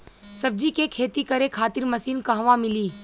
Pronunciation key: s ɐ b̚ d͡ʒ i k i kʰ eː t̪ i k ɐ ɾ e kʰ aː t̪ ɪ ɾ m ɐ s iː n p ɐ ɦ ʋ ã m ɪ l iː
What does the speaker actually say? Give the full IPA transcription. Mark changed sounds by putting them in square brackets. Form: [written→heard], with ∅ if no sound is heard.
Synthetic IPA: s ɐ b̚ d͡ʒ i k [i→e] kʰ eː t̪ i k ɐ ɾ e kʰ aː t̪ ɪ ɾ m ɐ s iː n [p→k] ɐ ɦ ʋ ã m ɪ l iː